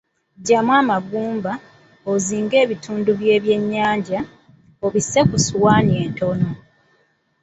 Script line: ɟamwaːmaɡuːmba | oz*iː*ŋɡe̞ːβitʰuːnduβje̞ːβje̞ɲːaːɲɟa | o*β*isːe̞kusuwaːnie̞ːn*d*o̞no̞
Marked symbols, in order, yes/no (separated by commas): yes, yes, no